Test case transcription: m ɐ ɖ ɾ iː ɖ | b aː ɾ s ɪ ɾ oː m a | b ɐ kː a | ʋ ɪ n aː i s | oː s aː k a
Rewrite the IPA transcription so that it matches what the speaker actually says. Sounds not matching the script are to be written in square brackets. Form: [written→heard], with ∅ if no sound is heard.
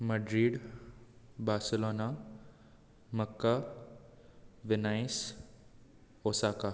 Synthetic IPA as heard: m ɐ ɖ ɾ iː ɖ | b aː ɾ s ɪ [ɾ→l] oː [m→n] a | [b→m] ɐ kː a | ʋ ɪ n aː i s | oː s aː k a